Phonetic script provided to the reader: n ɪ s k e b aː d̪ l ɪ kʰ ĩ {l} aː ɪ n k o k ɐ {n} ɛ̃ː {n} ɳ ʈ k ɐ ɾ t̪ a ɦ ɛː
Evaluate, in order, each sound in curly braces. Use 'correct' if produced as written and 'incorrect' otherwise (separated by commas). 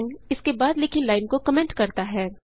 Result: correct, incorrect, incorrect